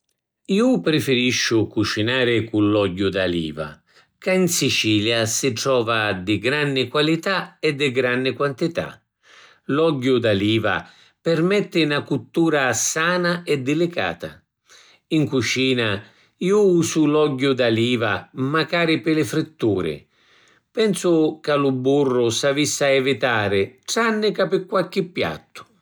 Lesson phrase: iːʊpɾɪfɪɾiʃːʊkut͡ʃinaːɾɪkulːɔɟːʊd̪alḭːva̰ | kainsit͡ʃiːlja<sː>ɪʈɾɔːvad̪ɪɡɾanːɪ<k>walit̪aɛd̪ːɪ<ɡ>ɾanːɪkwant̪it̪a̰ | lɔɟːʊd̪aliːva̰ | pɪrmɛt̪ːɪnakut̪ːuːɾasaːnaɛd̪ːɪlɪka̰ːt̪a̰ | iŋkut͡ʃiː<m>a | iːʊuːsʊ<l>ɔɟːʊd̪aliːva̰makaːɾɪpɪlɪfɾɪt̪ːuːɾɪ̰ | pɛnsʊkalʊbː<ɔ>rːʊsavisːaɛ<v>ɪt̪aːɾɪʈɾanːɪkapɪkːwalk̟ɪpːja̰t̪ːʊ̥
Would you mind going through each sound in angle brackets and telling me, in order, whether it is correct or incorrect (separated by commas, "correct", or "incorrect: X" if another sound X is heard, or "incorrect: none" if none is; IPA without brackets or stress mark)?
incorrect: s, correct, correct, incorrect: n, correct, incorrect: u, correct